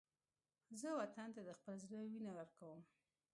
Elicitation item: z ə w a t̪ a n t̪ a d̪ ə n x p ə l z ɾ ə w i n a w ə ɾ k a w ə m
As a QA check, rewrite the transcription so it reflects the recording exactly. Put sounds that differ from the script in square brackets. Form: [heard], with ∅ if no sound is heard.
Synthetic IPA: z ə w a t̪ a n t̪ a d̪ ə [∅] x p ə l z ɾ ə w i n a w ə ɾ k a w ə m